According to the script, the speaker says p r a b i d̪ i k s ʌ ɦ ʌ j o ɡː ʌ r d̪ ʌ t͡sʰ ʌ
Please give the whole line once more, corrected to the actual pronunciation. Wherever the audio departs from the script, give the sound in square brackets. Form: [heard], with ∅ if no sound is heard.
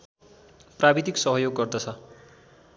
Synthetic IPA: p r a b i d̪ i k s ʌ ɦ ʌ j o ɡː ʌ r d̪ ʌ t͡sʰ ʌ